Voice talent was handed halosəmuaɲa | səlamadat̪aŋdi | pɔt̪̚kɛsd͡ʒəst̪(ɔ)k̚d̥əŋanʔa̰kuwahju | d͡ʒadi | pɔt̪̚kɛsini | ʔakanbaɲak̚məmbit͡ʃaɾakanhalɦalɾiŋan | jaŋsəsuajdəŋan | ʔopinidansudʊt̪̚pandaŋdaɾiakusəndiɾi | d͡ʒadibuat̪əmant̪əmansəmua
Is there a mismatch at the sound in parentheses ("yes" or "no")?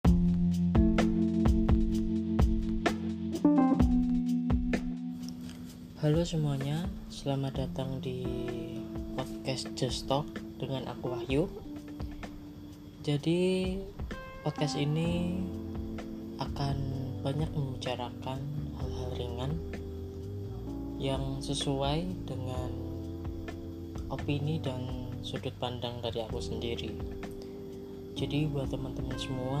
no